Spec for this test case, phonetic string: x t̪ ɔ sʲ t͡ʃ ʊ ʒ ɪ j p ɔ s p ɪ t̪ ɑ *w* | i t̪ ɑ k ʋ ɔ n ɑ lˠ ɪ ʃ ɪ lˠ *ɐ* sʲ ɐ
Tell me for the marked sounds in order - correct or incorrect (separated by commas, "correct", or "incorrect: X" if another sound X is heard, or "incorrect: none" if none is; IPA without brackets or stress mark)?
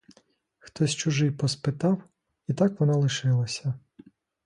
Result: correct, correct